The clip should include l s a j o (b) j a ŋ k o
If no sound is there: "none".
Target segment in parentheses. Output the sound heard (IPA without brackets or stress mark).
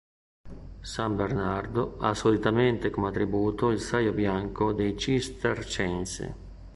b